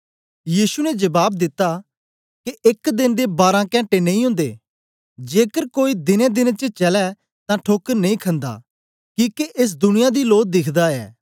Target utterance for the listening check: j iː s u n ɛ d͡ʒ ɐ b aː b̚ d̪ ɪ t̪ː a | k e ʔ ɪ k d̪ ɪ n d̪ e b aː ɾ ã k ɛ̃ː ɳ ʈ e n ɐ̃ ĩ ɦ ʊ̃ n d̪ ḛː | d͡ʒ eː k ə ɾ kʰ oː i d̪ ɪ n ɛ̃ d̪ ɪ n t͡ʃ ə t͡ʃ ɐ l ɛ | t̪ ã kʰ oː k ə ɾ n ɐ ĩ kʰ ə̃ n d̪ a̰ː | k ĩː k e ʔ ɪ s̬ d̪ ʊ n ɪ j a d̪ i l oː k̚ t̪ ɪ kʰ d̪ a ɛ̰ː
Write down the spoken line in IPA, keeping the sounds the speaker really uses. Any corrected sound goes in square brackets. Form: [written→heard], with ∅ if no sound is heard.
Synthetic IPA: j iː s u n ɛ d͡ʒ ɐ b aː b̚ d̪ ɪ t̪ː a | k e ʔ ɪ k d̪ ɪ n d̪ e b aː ɾ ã k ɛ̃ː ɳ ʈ e n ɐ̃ ĩ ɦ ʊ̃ n d̪ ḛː | d͡ʒ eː k ə ɾ [kʰ→k] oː i d̪ ɪ n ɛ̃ d̪ ɪ n t͡ʃ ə t͡ʃ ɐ l ɛ | t̪ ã [kʰ→ʈʰ] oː k ə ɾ n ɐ ĩ kʰ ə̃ n d̪ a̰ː | k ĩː k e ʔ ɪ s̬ d̪ ʊ n ɪ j a d̪ i l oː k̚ [t̪→d̪] ɪ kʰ d̪ a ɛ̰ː